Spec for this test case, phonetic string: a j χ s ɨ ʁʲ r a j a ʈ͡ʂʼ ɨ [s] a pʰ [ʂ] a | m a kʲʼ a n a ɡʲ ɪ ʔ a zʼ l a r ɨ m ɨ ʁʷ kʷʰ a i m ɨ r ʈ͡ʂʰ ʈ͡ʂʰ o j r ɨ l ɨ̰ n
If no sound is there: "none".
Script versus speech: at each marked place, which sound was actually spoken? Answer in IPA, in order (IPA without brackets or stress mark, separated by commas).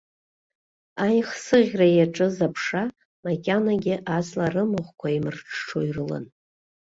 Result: z, ʂ